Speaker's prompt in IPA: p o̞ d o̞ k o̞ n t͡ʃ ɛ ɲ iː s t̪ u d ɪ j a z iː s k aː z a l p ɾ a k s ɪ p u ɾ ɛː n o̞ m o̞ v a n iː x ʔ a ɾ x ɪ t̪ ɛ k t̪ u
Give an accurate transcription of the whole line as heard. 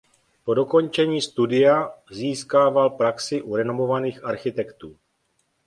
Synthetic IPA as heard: p o̞ d o̞ k o̞ n t͡ʃ ɛ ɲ iː s t̪ u d ɪ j a z iː s k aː v a l p ɾ a k s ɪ ʔ u ɾ ɛ n o̞ m o̞ v a n iː x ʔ a ɾ x ɪ t̪ ɛ k t̪ uː